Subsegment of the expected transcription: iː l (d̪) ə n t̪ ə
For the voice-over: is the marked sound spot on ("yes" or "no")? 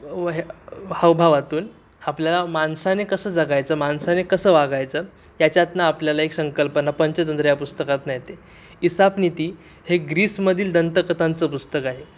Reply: yes